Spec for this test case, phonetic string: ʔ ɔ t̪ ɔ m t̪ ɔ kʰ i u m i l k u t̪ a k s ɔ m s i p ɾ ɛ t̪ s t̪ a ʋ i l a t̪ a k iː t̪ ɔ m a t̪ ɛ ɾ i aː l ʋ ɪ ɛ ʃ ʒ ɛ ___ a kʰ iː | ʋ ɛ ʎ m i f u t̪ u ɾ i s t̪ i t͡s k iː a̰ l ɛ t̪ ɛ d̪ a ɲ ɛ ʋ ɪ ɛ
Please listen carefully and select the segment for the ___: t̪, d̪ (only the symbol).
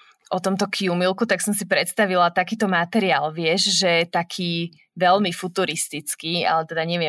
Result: t̪